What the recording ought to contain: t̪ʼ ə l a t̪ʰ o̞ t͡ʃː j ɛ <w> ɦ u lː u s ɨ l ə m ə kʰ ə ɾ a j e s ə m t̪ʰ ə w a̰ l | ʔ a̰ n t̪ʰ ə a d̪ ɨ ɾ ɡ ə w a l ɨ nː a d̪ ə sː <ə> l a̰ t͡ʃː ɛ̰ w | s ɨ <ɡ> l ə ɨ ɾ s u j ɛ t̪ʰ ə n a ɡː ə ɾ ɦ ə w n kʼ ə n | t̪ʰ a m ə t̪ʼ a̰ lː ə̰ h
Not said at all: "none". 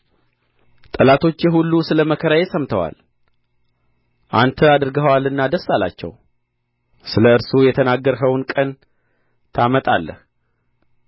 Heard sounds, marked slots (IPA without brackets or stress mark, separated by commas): none, a, none